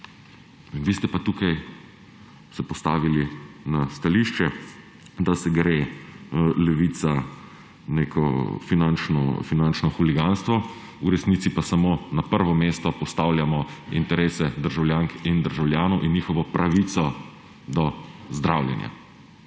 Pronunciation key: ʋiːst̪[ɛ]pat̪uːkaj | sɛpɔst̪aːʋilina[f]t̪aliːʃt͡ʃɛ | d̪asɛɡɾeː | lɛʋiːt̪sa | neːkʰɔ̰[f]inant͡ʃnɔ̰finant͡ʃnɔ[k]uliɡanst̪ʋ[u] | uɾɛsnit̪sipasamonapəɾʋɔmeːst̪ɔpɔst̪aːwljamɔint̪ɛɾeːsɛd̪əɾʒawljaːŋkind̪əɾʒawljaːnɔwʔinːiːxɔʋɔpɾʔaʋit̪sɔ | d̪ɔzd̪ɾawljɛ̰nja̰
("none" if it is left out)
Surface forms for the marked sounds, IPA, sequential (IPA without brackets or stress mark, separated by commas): ɛ, s, f, x, ɔ